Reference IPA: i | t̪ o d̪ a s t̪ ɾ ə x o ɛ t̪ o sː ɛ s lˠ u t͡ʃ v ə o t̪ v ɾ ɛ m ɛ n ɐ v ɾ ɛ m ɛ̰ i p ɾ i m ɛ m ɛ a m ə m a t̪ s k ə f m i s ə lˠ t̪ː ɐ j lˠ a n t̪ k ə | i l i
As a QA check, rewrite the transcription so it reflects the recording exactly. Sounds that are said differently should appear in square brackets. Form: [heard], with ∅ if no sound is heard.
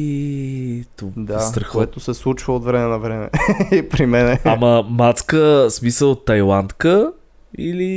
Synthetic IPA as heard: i | t̪ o d̪ a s t̪ ɾ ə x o ɛ t̪ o [s] ɛ s lˠ u t͡ʃ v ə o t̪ v ɾ ɛ m ɛ n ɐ v ɾ ɛ m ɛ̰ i p ɾ i m ɛ [n] ɛ a m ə m a t̪ s k ə [s] m i s ə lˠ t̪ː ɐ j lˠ a n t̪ k ə | i l i